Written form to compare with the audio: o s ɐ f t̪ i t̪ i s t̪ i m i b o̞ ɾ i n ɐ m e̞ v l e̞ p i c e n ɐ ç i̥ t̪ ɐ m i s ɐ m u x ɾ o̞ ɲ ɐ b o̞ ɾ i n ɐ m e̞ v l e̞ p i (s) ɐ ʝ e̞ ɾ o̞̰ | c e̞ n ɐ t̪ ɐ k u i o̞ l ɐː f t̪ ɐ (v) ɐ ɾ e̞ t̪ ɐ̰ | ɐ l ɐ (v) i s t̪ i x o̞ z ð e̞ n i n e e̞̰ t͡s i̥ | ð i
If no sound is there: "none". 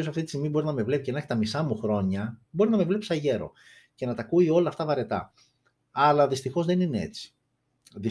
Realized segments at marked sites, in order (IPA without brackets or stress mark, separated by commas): s, v, ð